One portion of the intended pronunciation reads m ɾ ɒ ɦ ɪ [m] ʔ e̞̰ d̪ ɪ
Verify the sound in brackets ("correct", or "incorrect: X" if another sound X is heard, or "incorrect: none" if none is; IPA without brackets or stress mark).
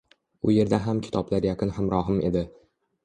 correct